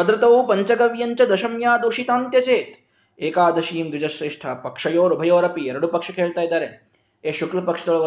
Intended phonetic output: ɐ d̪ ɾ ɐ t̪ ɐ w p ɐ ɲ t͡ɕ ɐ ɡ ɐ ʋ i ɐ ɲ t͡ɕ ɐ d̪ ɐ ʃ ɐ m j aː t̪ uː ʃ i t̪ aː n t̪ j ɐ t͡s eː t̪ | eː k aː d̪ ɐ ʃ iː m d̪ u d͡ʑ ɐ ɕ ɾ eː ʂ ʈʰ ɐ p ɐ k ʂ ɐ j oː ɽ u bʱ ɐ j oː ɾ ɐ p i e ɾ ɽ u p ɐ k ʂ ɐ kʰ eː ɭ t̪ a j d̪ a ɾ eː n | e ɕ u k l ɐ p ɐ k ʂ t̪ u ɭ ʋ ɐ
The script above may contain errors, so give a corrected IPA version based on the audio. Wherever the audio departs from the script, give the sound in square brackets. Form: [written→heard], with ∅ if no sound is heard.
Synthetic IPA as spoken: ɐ d̪ ɾ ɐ t̪ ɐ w p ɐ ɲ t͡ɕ ɐ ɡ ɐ ʋ [i→j] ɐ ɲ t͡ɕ ɐ d̪ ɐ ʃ ɐ m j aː [t̪→d̪] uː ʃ i t̪ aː n t̪ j ɐ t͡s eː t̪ | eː k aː d̪ ɐ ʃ iː m d̪ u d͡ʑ ɐ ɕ ɾ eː ʂ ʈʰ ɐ p ɐ k ʂ ɐ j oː [ɽ→ɾ] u bʱ ɐ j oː ɾ ɐ p i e ɾ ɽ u p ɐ k ʂ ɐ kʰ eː ɭ t̪ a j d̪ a ɾ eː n | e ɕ u k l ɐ p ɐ k ʂ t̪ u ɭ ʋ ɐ